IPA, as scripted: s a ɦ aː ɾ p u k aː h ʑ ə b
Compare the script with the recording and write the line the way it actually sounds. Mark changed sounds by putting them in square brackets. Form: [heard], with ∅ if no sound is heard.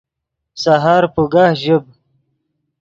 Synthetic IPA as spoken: s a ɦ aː ɾ p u [ɡ] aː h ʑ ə b